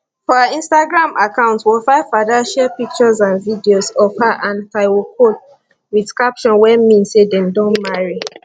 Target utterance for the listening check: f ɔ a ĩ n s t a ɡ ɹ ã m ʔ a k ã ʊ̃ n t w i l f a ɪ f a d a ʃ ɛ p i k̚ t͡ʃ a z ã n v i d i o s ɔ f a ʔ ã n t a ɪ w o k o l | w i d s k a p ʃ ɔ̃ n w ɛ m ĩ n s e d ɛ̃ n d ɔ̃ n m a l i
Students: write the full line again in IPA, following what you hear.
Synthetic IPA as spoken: f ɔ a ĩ n s t a ɡ ɹ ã m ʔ a k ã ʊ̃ n t w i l f a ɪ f a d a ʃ ɛ p i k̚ t͡ʃ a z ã n v i d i o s ɔ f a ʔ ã n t a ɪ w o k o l | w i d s k a p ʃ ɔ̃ n w ɛ m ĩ n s e d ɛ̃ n d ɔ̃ n m a ɹ i